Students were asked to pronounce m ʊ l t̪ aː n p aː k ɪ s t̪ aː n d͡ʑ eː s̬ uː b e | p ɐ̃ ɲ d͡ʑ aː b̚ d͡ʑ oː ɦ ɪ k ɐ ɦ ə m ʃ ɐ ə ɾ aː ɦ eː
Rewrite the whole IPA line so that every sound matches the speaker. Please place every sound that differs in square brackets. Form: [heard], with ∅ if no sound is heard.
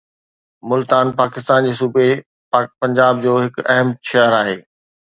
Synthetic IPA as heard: m ʊ l t̪ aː n p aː k ɪ s t̪ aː n d͡ʑ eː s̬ uː b e | p ɐ̃ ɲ d͡ʑ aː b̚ d͡ʑ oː ɦ ɪ k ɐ ɦ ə m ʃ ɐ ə ɾ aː ɦ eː